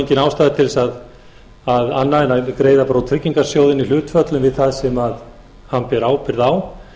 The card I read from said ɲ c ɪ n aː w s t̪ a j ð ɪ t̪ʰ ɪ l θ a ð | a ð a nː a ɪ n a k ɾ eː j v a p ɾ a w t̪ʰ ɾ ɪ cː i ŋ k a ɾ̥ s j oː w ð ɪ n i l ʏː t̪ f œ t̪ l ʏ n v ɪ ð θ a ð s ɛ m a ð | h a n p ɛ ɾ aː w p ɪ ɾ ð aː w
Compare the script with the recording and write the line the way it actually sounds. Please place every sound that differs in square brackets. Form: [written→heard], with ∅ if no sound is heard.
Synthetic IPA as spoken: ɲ c ɪ n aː w s t̪ a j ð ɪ t̪ʰ ɪ l [θ→s] a ð | a ð a nː a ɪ n a k ɾ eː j [v→ð] a p ɾ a w t̪ʰ ɾ ɪ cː i ŋ k a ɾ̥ s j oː w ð ɪ n i l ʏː t̪ f œ t̪ l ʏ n v ɪ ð θ a ð s ɛ m a ð | h a n p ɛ ɾ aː w p ɪ ɾ ð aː w